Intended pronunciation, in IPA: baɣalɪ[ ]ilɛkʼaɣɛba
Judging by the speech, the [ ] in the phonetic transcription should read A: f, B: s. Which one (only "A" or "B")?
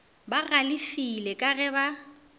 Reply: A